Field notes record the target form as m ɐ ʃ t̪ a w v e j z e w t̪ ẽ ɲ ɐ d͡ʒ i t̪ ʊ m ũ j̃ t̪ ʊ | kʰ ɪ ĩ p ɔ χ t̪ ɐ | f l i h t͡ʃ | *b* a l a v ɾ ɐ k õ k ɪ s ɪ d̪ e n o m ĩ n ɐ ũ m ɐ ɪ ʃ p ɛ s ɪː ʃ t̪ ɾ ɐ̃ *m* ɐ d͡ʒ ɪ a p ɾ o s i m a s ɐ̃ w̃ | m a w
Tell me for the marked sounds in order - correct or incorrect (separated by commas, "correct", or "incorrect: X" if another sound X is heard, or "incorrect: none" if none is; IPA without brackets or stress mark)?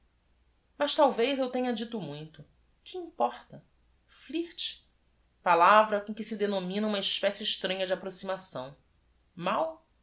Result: incorrect: p, incorrect: ɲ